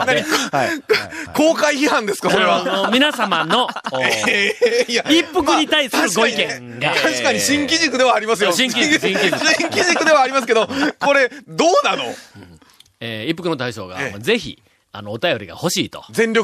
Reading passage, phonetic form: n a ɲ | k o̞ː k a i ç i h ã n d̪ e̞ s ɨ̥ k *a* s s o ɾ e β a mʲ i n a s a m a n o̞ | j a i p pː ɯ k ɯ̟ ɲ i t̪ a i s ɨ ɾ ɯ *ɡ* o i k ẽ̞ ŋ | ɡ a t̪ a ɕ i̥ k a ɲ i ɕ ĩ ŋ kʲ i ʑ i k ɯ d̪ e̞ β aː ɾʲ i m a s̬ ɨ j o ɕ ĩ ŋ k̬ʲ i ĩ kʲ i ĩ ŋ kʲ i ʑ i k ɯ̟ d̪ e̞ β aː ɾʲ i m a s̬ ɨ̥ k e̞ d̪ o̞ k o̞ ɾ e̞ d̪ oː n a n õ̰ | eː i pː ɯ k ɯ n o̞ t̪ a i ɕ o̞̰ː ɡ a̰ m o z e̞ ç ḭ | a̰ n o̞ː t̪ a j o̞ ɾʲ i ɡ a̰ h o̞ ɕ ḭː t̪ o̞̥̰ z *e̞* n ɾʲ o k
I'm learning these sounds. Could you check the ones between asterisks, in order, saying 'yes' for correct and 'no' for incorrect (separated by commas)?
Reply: yes, yes, no